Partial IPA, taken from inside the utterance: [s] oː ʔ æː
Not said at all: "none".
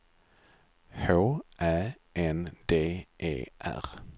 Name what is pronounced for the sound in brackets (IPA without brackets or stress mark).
h